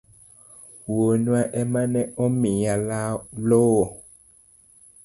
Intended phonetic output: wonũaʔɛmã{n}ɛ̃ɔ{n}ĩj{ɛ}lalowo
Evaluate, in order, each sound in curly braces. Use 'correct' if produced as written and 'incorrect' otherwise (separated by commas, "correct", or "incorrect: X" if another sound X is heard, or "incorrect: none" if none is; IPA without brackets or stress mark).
correct, incorrect: m, incorrect: a